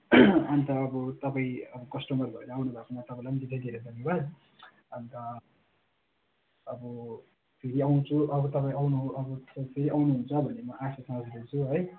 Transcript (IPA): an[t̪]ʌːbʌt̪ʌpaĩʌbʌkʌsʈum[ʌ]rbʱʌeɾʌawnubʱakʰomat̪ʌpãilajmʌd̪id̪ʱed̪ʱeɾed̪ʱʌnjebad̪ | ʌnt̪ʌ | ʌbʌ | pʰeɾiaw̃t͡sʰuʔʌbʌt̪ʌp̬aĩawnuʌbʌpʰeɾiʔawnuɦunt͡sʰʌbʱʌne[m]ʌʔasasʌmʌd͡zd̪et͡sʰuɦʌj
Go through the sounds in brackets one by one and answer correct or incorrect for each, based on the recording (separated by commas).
correct, correct, correct